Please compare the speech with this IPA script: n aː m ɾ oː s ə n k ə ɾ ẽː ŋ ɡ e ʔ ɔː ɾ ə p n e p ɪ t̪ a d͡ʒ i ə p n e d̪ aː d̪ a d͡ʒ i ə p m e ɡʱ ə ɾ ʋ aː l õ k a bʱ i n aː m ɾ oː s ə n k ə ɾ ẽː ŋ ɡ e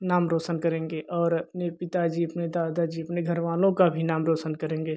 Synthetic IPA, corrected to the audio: n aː m ɾ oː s ə n k ə ɾ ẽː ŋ ɡ e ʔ ɔː ɾ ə p n e p ɪ t̪ a d͡ʒ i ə p n e d̪ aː d̪ a d͡ʒ i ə p n e ɡʱ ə ɾ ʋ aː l õ k a bʱ i n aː m ɾ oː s ə n k ə ɾ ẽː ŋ ɡ e